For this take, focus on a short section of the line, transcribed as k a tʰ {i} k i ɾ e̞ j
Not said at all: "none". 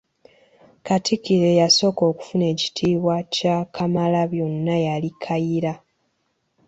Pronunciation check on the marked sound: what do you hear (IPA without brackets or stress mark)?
i